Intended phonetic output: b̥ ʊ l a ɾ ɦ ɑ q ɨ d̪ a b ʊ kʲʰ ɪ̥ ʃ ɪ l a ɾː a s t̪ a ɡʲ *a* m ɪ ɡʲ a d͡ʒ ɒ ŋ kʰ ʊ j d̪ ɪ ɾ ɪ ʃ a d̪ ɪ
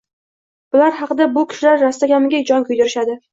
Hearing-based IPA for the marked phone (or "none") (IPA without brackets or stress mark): a